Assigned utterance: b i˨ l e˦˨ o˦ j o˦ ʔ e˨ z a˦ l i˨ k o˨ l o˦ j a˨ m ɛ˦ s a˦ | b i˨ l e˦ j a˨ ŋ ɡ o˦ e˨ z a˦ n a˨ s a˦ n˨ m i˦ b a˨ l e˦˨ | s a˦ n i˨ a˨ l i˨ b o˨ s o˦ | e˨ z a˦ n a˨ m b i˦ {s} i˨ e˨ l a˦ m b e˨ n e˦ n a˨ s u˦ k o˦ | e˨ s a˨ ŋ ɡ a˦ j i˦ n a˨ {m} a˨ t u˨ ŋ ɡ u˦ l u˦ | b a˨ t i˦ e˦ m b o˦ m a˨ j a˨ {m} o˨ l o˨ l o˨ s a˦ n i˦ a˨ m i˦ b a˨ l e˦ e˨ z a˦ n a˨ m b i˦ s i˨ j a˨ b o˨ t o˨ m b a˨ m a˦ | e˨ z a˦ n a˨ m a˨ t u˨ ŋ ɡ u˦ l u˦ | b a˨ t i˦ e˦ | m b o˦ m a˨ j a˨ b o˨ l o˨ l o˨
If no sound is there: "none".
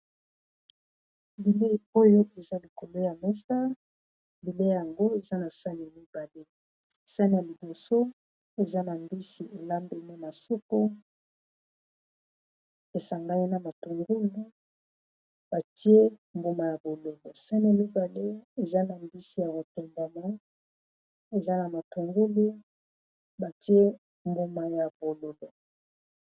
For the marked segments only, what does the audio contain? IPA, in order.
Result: s, m, b

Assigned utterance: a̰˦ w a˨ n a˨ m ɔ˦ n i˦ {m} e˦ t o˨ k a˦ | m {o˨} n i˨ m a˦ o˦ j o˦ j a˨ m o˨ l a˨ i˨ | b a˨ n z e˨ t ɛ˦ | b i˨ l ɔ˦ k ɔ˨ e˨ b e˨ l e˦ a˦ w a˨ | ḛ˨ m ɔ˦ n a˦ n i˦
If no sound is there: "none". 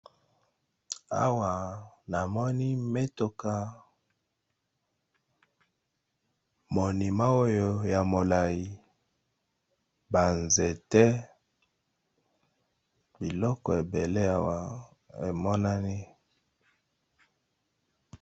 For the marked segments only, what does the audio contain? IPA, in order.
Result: m, o˨

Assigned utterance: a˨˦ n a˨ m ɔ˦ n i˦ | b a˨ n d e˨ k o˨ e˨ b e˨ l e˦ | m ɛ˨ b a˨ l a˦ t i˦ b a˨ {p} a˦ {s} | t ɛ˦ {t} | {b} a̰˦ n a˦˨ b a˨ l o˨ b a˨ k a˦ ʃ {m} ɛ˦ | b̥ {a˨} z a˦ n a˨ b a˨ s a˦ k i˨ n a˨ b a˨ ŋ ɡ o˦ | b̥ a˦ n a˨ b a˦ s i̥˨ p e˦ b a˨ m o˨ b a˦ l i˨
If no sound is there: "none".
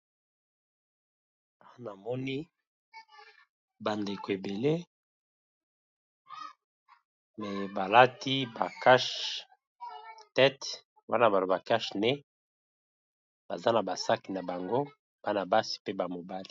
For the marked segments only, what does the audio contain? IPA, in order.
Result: k, ʃ, t, w, n, a˨

